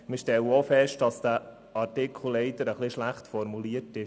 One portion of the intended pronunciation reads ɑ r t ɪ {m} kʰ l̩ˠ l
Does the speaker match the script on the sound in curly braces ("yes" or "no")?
no